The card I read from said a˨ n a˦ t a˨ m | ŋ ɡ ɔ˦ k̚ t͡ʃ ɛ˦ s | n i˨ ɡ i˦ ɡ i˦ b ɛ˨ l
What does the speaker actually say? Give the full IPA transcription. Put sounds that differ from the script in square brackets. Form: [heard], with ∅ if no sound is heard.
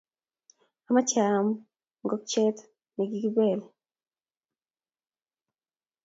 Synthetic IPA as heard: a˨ [m] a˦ [t͡ʃ] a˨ m | ŋ ɡ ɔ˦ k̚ t͡ʃ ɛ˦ [t] | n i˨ ɡ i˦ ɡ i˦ b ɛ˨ l